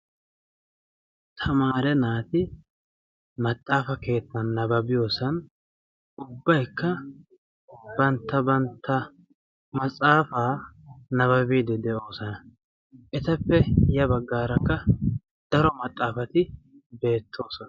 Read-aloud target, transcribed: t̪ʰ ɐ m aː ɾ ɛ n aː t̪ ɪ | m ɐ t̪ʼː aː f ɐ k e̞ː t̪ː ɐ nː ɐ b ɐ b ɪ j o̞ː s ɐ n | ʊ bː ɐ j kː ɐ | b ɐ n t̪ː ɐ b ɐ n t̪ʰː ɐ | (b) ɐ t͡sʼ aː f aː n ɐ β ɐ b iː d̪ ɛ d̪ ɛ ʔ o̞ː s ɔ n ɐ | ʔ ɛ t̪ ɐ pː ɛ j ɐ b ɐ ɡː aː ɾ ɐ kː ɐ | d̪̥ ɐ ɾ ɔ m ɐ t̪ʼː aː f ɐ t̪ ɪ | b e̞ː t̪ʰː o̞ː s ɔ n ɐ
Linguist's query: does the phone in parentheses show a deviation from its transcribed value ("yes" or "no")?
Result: yes